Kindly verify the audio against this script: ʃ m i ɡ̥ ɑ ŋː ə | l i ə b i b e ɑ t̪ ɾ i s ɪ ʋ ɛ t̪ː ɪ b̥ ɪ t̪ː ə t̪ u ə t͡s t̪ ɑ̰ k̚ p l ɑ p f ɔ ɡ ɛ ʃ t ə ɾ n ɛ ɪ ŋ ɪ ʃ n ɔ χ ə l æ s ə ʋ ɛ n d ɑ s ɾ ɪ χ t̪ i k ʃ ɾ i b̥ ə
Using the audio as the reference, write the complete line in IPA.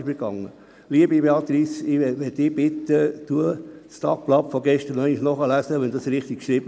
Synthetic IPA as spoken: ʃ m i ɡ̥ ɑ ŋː ə | l i ə b i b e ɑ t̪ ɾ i s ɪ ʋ ɛ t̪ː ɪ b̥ ɪ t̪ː ə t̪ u ə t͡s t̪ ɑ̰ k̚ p l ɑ p f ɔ ɡ ɛ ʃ t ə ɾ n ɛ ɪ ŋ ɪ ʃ n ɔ χ ə l æ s ə ʋ ɛ n d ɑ s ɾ ɪ χ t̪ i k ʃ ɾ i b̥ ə